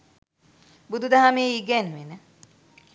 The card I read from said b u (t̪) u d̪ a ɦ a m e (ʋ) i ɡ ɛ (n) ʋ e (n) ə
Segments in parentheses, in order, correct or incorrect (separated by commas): incorrect, incorrect, correct, correct